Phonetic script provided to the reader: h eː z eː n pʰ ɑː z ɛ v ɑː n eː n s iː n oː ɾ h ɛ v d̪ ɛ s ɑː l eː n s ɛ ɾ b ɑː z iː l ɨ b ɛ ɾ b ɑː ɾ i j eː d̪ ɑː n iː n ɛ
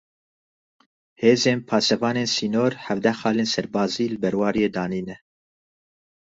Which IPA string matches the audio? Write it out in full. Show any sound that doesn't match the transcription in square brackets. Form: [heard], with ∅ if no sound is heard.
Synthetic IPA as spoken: h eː z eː n pʰ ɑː [s] ɛ v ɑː n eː n s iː n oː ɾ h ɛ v d̪ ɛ [x] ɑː l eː n s ɛ ɾ b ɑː z iː l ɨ b ɛ ɾ [w] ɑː ɾ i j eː d̪ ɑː n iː n ɛ